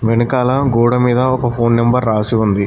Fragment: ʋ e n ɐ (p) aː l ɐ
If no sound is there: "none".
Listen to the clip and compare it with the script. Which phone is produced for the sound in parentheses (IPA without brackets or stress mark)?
k